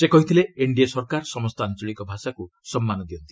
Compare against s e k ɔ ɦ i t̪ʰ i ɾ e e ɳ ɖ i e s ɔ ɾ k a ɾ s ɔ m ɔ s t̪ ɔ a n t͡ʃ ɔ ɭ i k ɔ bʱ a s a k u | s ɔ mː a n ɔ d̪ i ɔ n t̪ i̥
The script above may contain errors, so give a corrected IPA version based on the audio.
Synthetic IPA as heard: s e k ɔ ɦ i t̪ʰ i l e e ɳ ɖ i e s ɔ ɾ k a ɾ s ɔ m ɔ s t̪ ɔ a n t͡ʃ ɔ ɭ i k ɔ bʱ a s a k u | s ɔ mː a n ɔ d̪ i ɔ n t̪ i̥